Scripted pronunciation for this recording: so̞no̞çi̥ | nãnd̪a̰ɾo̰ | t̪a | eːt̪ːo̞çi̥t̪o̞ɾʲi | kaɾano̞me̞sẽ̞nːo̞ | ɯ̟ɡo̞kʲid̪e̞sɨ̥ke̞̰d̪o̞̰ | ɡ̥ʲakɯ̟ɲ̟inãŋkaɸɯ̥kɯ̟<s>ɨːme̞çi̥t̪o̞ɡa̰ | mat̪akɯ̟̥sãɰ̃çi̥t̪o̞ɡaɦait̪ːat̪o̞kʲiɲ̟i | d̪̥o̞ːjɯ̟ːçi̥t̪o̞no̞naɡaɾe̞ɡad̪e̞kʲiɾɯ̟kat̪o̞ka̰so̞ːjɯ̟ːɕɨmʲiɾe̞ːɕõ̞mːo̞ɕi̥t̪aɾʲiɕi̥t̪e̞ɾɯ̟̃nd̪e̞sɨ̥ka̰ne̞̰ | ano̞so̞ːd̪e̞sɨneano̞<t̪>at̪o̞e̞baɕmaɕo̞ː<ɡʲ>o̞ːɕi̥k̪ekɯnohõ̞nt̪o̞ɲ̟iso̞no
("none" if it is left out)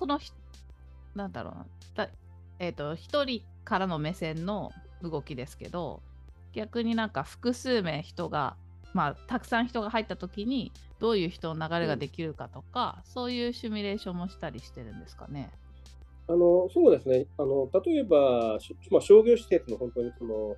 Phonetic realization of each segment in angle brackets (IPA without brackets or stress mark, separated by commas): s, t̪, ɡʲ